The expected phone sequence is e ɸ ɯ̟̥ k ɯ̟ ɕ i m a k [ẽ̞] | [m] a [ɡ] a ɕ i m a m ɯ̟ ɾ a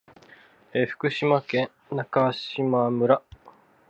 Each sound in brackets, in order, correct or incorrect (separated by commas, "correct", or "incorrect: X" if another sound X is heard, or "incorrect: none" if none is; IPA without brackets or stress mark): correct, incorrect: n, incorrect: k